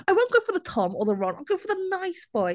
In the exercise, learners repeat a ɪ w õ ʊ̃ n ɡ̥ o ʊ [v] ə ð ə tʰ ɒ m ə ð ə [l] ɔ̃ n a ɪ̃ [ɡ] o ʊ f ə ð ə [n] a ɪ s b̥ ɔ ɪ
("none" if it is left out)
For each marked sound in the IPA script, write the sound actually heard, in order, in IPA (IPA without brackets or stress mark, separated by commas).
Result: f, ɹ, ɡ, n